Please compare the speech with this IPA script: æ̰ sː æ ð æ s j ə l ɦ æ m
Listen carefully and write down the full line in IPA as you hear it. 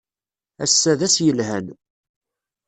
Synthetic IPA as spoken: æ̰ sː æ ð æ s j ə l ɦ æ n